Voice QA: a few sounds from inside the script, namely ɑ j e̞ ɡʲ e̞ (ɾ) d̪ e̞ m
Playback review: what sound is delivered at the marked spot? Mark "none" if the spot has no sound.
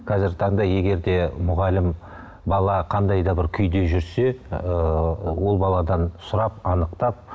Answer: ɾ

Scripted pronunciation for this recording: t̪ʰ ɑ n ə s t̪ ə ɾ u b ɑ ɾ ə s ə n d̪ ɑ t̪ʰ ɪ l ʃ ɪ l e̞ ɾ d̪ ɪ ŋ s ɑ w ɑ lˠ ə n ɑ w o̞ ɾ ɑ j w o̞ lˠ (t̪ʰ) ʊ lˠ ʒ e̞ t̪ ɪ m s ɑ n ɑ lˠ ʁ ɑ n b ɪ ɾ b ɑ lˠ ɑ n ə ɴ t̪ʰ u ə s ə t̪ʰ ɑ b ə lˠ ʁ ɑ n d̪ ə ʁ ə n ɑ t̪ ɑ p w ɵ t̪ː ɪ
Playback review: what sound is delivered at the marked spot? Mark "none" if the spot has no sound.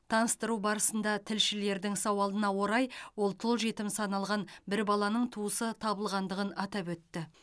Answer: t̪ʰ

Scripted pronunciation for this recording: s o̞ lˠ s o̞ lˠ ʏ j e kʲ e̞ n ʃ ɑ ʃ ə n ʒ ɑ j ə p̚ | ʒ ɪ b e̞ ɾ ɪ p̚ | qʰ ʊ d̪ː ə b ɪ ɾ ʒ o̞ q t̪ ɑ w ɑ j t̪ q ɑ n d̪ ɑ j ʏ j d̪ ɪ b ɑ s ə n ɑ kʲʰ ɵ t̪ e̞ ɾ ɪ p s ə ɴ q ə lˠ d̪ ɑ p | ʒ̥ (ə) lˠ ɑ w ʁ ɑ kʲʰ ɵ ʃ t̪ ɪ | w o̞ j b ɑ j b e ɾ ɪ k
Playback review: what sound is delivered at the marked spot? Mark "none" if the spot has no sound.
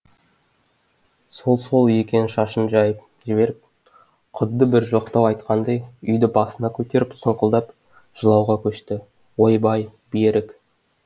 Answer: ə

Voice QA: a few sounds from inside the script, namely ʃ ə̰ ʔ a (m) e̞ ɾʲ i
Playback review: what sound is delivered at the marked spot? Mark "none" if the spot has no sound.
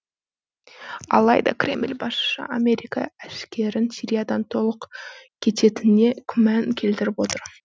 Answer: m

